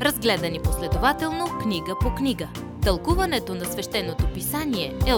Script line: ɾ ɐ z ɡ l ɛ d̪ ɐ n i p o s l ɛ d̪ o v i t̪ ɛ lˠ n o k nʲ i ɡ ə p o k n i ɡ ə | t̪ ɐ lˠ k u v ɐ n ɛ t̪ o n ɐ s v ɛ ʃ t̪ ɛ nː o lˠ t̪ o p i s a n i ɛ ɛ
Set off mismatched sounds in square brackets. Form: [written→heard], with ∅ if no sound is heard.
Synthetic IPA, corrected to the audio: ɾ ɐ z ɡ l ɛ d̪ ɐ n i p o s l ɛ d̪ o v [i→a] t̪ ɛ lˠ n o k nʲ i ɡ ə p o k n i ɡ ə | t̪ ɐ lˠ k u v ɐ n ɛ t̪ o n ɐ s v ɛ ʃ t̪ ɛ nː o [lˠ→∅] t̪ o p i s a n i ɛ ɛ